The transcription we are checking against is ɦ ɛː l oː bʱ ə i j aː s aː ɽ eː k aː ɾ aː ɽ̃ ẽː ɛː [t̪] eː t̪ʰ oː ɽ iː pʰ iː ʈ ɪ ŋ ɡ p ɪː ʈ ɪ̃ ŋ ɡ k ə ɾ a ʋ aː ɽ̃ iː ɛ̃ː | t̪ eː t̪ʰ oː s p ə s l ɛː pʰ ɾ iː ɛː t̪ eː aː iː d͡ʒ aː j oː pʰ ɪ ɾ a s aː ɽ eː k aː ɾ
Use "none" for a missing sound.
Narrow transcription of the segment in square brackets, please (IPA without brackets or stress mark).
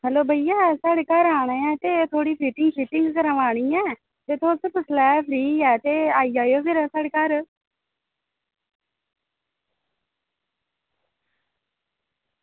t̪